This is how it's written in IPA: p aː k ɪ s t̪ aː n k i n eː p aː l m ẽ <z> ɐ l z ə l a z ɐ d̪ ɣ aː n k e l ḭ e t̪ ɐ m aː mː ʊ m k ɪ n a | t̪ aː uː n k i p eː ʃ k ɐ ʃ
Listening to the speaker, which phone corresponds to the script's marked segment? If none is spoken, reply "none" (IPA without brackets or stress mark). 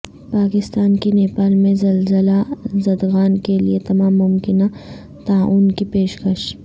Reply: z